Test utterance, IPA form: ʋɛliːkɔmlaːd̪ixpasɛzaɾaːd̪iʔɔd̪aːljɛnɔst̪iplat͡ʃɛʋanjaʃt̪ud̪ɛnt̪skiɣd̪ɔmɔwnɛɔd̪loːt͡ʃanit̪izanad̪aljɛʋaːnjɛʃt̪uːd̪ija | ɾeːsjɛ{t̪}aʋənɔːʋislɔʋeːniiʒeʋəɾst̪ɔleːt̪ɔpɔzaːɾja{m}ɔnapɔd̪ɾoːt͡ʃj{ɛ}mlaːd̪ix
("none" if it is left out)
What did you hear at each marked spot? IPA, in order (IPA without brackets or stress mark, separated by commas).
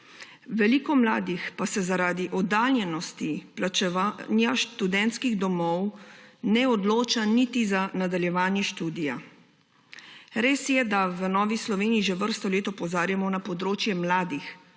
d̪, m, ɛ